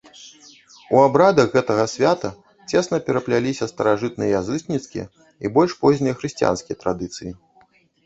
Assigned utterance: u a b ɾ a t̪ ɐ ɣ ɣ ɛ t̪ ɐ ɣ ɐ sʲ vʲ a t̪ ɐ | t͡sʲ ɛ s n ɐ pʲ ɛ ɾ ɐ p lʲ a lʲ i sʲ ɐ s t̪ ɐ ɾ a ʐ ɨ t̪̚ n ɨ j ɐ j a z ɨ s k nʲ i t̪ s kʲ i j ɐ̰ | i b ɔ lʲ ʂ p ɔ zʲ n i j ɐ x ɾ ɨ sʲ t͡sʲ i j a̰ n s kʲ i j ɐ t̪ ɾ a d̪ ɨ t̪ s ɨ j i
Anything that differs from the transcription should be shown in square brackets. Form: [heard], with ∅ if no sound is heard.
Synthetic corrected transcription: u a b ɾ a [d̪] ɐ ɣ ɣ ɛ t̪ ɐ ɣ ɐ sʲ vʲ a t̪ ɐ | t͡sʲ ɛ s n ɐ pʲ ɛ ɾ ɐ p lʲ a lʲ i sʲ ɐ s t̪ ɐ ɾ a ʐ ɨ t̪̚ n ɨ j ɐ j a z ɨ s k nʲ i t̪ s kʲ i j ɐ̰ | i b ɔ lʲ ʂ p ɔ zʲ n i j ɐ x ɾ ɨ sʲ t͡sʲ i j a̰ n s kʲ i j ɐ t̪ ɾ a d̪ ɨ t̪ s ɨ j i

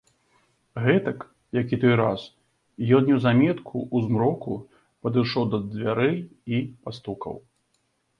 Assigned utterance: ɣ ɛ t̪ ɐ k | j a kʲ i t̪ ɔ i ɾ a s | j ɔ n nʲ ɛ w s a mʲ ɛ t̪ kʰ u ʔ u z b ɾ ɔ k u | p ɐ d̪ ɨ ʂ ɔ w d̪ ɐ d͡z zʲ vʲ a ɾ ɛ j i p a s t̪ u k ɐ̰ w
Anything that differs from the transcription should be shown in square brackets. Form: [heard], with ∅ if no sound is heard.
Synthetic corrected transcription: ɣ ɛ t̪ ɐ k | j a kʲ i t̪ ɔ [j] ɾ a s | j ɔ n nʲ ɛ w [z] a mʲ ɛ t̪ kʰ u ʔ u z [m] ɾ ɔ k u | p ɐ d̪ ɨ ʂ ɔ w d̪ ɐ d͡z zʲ vʲ a ɾ ɛ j i p a s t̪ u k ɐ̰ w

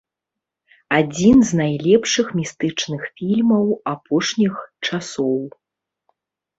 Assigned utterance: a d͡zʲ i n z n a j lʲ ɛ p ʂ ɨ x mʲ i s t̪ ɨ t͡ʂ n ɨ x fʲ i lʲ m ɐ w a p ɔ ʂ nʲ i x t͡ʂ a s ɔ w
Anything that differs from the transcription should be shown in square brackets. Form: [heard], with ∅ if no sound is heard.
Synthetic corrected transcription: a d͡zʲ i n z n a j lʲ ɛ p ʂ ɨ x mʲ i s t̪ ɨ t͡ʂ n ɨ x fʲ i lʲ m ɐ w a p ɔ ʂ nʲ i x t͡ʂ a s ɔ w

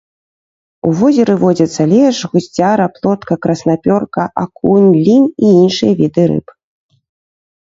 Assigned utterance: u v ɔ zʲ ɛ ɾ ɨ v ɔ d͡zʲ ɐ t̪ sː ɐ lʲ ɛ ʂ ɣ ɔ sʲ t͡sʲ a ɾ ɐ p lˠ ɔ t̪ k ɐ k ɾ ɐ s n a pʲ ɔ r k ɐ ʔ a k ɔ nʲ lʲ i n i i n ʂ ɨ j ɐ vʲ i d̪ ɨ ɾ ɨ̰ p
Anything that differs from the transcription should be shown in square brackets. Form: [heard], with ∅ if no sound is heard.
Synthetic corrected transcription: u v ɔ zʲ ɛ ɾ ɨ v ɔ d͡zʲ ɐ t̪ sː ɐ lʲ ɛ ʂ ɣ [u] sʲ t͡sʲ a ɾ ɐ p lˠ ɔ t̪ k ɐ k ɾ ɐ s n a pʲ ɔ r k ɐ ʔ a k [u] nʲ lʲ i n i i n ʂ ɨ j ɐ vʲ i d̪ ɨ ɾ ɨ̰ p

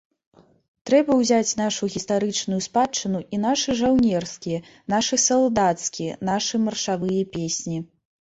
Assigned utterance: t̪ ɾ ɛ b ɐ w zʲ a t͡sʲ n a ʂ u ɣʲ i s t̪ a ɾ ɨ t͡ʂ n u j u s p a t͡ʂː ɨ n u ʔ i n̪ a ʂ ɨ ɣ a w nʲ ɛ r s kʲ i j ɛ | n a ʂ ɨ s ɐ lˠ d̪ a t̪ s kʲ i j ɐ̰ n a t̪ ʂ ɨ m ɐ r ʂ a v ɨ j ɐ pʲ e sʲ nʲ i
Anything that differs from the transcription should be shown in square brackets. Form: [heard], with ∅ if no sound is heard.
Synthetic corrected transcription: t̪ ɾ ɛ b ɐ w zʲ a t͡sʲ n a ʂ u ɣʲ i s t̪ a ɾ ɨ t͡ʂ n u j u s p a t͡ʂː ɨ n u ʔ i n̪ a ʂ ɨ [ʐ] a w nʲ ɛ r s kʲ i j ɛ | n a ʂ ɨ s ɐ lˠ d̪ a t̪ s kʲ i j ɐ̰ n a [∅] ʂ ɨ m ɐ r ʂ a v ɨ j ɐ pʲ e sʲ nʲ i

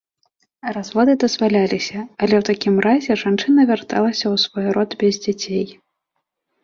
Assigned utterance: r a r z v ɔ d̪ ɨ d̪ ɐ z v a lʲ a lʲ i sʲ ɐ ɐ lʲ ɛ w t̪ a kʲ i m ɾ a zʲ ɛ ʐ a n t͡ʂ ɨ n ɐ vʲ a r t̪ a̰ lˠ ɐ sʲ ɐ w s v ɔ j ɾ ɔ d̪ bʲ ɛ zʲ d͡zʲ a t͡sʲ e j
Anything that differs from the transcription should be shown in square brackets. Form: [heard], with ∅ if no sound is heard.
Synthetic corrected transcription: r a [∅] z v ɔ d̪ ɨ d̪ ɐ z v a lʲ a lʲ i sʲ ɐ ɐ lʲ ɛ w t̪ a kʲ i m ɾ a zʲ ɛ ʐ a n t͡ʂ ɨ n ɐ vʲ a r t̪ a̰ lˠ ɐ sʲ ɐ w s v ɔ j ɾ ɔ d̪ bʲ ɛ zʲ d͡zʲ a t͡sʲ e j

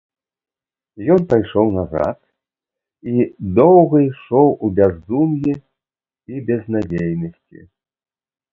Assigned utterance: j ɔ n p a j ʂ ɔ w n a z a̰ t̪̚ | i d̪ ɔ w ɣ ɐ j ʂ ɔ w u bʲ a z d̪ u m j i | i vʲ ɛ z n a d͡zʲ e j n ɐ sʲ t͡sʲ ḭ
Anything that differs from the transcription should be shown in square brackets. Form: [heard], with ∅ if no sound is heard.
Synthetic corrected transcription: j ɔ n p a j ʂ ɔ w n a z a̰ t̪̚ | i d̪ ɔ w ɣ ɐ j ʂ ɔ w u bʲ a z d̪ u m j i | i [bʲ] ɛ z n a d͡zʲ e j n ɐ sʲ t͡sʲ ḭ

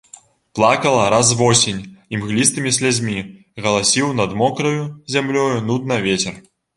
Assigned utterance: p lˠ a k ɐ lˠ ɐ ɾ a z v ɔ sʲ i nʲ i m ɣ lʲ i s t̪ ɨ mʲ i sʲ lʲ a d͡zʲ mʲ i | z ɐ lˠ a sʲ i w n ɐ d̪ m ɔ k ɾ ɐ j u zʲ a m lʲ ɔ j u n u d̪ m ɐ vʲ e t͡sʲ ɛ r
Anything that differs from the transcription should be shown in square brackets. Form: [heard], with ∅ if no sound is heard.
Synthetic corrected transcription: p lˠ a k ɐ lˠ ɐ ɾ a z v ɔ sʲ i nʲ i m ɣ lʲ i s t̪ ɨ mʲ i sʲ lʲ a d͡zʲ mʲ i | [ɣ] ɐ lˠ a sʲ i w n ɐ d̪ m ɔ k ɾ ɐ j u zʲ a m lʲ ɔ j u n u d̪ [n] ɐ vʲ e t͡sʲ ɛ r

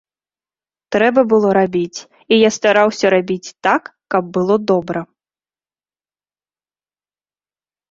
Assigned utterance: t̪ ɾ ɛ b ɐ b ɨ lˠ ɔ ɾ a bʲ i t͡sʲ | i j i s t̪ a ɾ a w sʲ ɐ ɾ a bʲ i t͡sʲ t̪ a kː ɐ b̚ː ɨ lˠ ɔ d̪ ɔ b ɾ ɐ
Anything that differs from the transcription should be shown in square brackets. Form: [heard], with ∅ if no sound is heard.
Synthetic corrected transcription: t̪ ɾ ɛ b ɐ b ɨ lˠ ɔ ɾ a bʲ i t͡sʲ | i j [a] s t̪ a ɾ a w sʲ ɐ ɾ a bʲ i t͡sʲ t̪ a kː ɐ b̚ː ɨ lˠ ɔ d̪ ɔ b ɾ ɐ

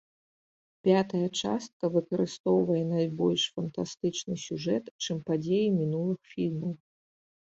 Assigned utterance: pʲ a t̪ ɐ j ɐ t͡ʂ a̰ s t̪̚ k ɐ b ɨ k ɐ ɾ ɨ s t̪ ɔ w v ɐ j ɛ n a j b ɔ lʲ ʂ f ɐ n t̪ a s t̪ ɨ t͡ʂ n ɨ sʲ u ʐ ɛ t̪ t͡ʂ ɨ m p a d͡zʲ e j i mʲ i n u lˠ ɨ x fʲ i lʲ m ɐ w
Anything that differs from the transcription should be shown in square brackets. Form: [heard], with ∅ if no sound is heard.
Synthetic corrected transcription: pʲ a t̪ ɐ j ɐ t͡ʂ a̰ s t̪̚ k ɐ [v] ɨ k ɐ ɾ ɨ s t̪ ɔ w v ɐ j ɛ n a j b ɔ lʲ ʂ f ɐ n t̪ a s t̪ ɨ t͡ʂ n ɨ sʲ u ʐ ɛ t̪ t͡ʂ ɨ m p a d͡zʲ e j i mʲ i n u lˠ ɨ x fʲ i lʲ m ɐ w

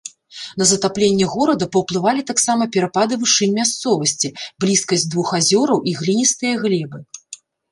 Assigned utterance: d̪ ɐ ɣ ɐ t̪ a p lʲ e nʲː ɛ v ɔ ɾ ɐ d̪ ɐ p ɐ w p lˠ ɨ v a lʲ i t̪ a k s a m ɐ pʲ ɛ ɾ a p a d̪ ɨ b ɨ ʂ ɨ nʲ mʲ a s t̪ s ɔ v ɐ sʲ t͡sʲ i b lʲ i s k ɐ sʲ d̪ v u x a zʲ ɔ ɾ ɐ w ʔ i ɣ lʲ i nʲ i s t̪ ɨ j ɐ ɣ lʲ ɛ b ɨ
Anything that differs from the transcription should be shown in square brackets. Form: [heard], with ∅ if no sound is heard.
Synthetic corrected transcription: [n̪] ɐ [z] ɐ t̪ a p lʲ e nʲː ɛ [ɣ] ɔ ɾ ɐ d̪ ɐ p ɐ w p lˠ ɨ v a lʲ i t̪ a k s a m ɐ pʲ ɛ ɾ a p a d̪ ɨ [v] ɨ ʂ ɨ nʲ mʲ a s t̪ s ɔ v ɐ sʲ t͡sʲ i b lʲ i s k ɐ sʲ d̪ v u x a zʲ ɔ ɾ ɐ w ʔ i ɣ lʲ i nʲ i s t̪ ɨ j ɐ ɣ lʲ ɛ b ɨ

